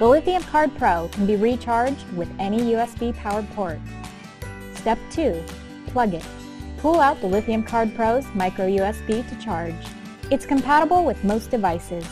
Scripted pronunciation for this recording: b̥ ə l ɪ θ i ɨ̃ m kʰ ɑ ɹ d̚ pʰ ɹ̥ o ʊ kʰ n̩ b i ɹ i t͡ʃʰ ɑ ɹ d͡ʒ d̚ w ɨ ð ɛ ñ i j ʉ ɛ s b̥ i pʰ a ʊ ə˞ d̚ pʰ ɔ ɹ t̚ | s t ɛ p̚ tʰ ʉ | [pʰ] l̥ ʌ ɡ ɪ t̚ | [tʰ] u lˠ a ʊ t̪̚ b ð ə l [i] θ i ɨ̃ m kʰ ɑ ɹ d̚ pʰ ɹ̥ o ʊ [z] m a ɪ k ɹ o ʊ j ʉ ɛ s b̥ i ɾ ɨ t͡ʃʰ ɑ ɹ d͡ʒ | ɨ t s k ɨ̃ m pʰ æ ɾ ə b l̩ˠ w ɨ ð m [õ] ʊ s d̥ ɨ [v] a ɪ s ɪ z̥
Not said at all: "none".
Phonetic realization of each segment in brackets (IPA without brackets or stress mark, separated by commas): pʰ, pʰ, ɪ, z, o, v